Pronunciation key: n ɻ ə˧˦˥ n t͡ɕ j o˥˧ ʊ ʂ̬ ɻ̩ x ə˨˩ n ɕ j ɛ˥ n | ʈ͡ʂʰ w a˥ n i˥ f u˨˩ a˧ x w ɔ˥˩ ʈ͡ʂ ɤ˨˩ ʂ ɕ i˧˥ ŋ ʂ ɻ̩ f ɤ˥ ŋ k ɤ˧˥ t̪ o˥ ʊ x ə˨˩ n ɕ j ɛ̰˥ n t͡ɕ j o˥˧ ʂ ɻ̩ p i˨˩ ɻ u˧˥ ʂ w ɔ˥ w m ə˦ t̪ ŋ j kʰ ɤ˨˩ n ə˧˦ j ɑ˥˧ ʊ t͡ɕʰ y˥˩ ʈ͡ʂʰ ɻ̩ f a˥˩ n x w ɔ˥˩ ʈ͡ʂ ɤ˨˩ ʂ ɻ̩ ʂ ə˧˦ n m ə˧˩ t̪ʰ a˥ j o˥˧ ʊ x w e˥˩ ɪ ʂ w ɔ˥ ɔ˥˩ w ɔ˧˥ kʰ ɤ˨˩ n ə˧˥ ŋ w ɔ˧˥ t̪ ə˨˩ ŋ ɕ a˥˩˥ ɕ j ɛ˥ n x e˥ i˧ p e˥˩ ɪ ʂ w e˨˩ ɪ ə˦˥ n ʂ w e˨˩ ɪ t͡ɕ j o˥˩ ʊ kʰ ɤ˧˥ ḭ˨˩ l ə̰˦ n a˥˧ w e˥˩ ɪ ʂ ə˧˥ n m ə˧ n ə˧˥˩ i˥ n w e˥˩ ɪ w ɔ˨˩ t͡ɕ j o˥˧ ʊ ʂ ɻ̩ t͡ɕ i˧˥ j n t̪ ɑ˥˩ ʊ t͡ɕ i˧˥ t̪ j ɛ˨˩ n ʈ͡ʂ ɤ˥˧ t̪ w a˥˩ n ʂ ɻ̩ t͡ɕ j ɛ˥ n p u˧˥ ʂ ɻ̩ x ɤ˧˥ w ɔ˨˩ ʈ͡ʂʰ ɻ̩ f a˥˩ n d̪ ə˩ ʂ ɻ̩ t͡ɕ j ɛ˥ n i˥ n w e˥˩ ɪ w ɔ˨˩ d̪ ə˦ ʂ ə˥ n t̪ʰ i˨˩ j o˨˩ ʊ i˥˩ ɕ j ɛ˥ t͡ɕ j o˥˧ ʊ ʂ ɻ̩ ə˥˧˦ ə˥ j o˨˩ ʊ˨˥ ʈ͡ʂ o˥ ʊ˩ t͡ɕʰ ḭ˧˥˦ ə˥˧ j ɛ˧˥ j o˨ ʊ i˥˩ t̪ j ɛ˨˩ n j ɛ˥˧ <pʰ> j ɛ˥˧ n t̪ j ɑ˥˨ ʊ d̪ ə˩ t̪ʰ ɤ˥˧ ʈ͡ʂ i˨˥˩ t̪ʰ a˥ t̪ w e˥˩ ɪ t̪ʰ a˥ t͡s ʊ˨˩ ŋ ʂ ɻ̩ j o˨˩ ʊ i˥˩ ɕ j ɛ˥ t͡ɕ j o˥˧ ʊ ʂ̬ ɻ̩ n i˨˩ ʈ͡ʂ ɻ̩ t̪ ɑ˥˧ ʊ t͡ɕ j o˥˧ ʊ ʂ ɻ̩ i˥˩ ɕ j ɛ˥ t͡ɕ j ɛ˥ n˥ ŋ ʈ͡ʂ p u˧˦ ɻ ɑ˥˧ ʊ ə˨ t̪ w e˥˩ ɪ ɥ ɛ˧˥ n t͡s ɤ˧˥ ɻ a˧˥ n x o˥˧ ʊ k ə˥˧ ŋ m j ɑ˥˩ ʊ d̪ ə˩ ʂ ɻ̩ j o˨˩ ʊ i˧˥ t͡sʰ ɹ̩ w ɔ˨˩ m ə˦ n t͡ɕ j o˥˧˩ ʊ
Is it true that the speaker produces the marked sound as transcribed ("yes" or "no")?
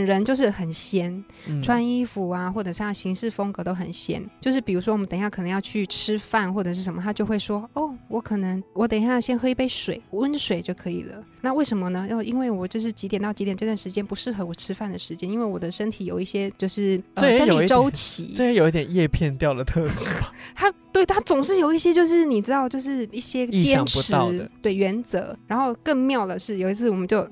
yes